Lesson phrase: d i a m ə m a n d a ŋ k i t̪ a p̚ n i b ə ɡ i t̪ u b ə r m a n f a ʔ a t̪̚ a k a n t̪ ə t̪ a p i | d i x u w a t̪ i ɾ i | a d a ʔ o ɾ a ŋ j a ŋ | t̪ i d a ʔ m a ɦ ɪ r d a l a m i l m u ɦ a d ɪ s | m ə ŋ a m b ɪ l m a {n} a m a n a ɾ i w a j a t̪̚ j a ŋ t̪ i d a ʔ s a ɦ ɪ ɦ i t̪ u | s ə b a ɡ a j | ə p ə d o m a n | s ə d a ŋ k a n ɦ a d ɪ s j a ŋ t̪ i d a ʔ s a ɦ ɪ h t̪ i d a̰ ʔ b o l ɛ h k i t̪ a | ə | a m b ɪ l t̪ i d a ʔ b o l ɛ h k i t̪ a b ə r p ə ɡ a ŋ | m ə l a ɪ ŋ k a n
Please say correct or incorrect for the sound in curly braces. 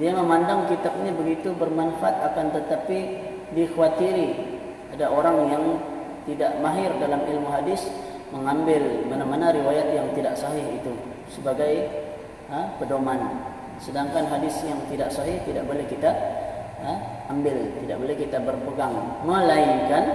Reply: correct